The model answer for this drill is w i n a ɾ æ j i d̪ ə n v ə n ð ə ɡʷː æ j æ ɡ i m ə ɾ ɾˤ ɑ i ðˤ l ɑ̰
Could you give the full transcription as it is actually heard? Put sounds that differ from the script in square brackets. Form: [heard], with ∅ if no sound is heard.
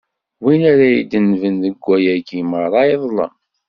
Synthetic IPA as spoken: w i n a ɾ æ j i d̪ ə n v ə n ð ə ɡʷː æ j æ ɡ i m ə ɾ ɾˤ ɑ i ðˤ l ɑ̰